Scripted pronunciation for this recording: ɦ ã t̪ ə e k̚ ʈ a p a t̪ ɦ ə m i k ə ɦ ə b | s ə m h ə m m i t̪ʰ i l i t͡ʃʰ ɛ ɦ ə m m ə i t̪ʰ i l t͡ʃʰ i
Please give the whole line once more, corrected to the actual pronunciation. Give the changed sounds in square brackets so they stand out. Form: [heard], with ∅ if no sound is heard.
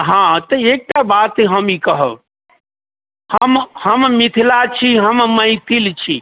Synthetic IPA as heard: ɦ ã t̪ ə e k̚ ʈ a [b] a t̪ ɦ ə m i k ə ɦ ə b | [h] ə m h ə m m i t̪ʰ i l [a] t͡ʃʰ [i] ɦ ə m m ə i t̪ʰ i l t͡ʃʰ i